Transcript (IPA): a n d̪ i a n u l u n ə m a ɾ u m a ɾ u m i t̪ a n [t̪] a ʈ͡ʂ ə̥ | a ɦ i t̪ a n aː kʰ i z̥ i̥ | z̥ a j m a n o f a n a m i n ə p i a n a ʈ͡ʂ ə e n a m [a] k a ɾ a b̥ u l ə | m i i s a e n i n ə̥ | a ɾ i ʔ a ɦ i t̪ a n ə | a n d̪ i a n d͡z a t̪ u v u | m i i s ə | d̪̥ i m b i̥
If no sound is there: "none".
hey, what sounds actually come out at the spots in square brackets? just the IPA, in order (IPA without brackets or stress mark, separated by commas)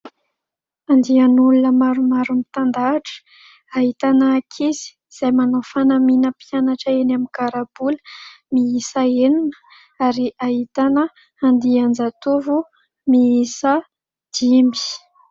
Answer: d̪, i